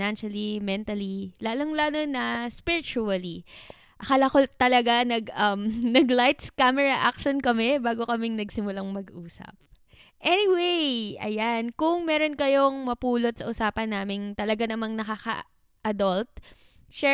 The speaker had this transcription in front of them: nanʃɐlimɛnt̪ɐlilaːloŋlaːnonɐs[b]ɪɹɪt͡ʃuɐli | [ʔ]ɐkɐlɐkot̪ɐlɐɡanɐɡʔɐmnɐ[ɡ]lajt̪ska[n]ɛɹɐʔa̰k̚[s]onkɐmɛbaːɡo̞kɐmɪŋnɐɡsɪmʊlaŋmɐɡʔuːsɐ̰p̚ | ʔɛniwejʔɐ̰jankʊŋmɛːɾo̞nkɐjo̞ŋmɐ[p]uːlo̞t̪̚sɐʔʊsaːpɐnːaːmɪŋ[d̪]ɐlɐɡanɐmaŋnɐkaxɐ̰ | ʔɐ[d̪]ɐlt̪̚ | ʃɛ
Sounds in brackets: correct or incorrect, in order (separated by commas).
incorrect, correct, correct, incorrect, incorrect, correct, incorrect, correct